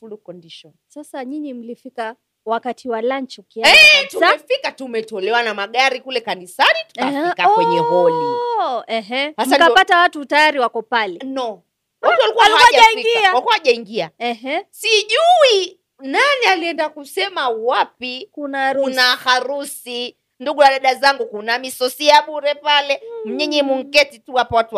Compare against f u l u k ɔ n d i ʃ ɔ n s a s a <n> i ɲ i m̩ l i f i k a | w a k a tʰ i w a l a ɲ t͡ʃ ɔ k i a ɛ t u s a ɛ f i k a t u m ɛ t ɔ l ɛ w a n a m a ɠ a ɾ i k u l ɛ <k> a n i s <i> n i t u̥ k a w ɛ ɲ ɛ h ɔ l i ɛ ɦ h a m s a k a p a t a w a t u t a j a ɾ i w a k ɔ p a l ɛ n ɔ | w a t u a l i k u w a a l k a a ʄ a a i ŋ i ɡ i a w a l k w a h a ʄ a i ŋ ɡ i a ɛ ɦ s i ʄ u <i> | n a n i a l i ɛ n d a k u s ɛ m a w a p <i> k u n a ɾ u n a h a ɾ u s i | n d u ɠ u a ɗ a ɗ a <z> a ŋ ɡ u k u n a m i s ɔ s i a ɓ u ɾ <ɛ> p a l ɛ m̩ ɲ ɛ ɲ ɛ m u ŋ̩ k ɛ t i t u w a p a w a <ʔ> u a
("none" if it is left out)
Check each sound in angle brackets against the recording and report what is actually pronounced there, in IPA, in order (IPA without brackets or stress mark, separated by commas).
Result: ɲ, k, a, i, i, z, ɛ, t